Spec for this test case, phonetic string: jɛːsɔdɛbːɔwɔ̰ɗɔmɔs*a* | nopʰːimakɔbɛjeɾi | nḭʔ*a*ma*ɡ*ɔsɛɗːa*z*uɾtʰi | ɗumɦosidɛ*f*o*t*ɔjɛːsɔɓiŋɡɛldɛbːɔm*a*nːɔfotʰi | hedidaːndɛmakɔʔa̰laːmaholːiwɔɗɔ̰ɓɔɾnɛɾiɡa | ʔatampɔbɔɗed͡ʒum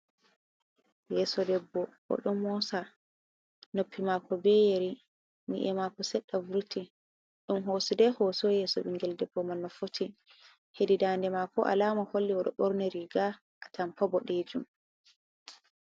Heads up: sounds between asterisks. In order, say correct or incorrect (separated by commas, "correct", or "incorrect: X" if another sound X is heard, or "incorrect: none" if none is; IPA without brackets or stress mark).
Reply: correct, incorrect: ɛ, incorrect: k, incorrect: v, incorrect: h, incorrect: s, correct